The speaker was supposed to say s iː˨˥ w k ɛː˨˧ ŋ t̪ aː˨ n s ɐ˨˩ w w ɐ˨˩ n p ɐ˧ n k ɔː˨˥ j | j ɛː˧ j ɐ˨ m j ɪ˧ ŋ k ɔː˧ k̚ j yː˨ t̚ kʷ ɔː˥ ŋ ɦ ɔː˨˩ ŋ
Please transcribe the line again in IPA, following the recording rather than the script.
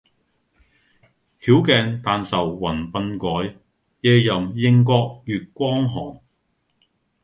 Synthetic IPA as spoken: h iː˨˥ w k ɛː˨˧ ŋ t̪ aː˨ n s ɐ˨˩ w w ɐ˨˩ n p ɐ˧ n k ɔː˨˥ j | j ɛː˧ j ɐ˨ m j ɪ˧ ŋ k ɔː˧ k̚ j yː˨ t̚ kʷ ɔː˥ ŋ ɦ ɔː˨˩ ŋ